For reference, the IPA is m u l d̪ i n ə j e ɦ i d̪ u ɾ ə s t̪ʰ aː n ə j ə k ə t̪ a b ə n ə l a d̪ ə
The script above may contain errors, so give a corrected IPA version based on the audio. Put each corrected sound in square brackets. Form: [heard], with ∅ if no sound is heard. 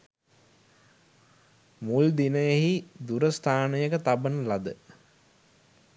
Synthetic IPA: m u l d̪ i n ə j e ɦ i d̪ u ɾ ə s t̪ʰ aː n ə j ə k ə t̪ a b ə n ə l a d̪ ə